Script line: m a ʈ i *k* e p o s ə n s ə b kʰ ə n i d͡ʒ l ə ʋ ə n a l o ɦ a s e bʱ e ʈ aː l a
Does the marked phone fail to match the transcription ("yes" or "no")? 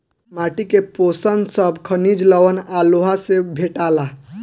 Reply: no